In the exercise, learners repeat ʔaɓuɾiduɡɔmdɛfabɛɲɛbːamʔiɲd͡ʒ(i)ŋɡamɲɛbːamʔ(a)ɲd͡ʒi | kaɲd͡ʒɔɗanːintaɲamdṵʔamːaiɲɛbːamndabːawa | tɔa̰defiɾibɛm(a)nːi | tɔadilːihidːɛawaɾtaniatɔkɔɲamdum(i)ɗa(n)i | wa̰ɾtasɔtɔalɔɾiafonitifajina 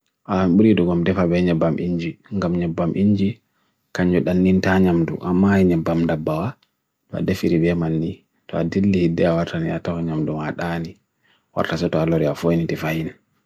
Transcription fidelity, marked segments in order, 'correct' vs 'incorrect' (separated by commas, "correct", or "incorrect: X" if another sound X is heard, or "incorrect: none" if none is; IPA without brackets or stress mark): correct, incorrect: i, correct, incorrect: a, correct